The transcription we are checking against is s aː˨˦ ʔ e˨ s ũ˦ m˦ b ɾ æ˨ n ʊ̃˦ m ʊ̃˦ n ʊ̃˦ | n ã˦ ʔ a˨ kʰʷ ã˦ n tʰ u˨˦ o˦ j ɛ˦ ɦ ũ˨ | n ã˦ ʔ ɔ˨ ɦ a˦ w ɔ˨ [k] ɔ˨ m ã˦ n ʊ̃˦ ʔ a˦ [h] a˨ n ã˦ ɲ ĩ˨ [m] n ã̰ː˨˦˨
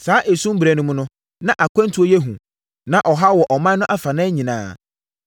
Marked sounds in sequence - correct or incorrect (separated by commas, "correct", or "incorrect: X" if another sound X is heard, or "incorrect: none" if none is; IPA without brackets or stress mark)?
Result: incorrect: ʔ, incorrect: f, incorrect: none